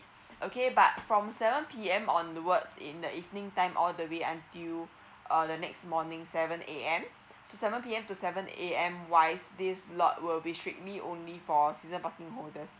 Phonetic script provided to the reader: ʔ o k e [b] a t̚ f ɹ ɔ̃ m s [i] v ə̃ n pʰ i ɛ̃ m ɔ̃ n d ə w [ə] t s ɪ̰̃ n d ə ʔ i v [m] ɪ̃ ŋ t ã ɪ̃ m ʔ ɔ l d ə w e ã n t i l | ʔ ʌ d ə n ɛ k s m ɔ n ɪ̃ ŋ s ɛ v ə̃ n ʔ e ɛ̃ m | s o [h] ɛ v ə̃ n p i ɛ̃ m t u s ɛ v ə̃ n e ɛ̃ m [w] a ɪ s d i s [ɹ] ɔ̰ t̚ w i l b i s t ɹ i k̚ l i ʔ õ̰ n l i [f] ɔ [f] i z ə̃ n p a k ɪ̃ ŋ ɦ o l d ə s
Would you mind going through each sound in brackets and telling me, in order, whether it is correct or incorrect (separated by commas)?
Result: correct, incorrect, correct, incorrect, incorrect, correct, incorrect, correct, incorrect